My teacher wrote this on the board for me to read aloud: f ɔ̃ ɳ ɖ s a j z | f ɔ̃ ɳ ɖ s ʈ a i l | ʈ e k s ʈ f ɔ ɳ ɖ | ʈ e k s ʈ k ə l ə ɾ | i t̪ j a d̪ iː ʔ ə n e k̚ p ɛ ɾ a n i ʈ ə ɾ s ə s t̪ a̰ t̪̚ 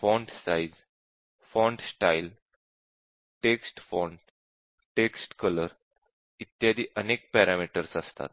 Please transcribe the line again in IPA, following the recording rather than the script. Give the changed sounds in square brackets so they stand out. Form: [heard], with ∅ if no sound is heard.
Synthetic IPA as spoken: f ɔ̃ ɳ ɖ s a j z | f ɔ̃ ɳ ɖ s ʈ a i l | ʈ e k s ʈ f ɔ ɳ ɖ | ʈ e k s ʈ k ə l ə ɾ | i t̪ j a d̪ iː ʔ ə n e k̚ p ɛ ɾ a [m] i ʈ ə ɾ s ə s t̪ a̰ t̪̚